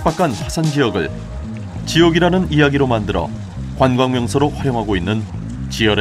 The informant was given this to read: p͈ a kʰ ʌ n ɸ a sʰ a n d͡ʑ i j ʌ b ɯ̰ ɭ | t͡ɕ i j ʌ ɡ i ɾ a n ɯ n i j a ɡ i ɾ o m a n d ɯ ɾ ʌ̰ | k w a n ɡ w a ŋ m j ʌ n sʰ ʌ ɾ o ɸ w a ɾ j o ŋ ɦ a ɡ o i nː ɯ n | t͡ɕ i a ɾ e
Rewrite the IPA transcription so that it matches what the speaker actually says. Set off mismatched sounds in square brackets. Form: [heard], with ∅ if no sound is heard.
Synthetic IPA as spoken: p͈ a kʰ [a] n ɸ a sʰ a n d͡ʑ i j ʌ [ɡ] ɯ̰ ɭ | t͡ɕ i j ʌ ɡ i ɾ a n ɯ n i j a ɡ i ɾ o m a n d ɯ ɾ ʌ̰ | k w a n ɡ w a ŋ m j ʌ [ŋ] sʰ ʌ ɾ o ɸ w a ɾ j o ŋ ɦ a ɡ o i nː ɯ n | t͡ɕ i [ʌ] ɾ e